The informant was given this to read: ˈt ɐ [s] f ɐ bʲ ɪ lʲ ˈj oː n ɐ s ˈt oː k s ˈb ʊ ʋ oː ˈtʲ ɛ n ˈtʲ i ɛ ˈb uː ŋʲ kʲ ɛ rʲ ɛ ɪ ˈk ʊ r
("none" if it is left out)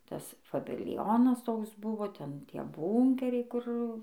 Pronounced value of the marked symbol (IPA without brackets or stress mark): s